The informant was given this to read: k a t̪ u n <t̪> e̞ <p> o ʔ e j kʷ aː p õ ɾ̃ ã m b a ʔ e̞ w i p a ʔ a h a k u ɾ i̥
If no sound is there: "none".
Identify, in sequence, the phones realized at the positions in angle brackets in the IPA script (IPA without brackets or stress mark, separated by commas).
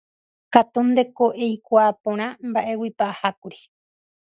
d̪, k